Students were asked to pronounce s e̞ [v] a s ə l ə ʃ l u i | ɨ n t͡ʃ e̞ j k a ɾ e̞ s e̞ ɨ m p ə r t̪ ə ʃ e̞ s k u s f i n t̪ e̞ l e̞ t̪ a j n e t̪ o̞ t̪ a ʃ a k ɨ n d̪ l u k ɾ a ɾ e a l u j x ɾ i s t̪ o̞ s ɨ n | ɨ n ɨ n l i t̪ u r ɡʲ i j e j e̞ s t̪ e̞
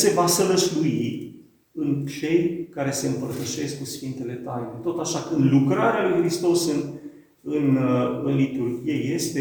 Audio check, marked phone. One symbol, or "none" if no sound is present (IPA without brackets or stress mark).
v